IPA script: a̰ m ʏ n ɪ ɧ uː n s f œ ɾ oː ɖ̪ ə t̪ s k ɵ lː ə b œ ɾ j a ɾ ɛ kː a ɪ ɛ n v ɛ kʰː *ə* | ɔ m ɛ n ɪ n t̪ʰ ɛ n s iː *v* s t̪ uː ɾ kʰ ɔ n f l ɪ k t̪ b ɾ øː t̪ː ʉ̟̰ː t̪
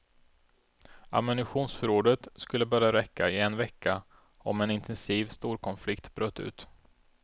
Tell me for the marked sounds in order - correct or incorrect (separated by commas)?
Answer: incorrect, correct